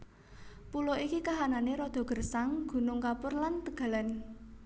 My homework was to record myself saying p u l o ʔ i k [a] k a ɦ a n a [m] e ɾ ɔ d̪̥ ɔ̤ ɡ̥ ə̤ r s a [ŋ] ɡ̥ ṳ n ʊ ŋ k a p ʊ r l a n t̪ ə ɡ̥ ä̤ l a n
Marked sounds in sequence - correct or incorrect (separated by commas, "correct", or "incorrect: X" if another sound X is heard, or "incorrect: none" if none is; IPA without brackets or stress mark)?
incorrect: i, incorrect: n, correct